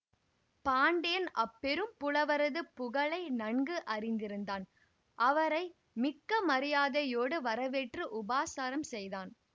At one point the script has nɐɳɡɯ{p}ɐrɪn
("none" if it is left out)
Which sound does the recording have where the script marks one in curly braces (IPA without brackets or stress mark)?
ʔ